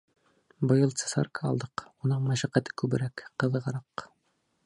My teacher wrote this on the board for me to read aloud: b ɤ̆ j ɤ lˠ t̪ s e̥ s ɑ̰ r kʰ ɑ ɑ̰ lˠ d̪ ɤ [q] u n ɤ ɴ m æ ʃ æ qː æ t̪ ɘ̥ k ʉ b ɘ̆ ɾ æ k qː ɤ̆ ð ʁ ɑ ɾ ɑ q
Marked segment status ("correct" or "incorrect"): correct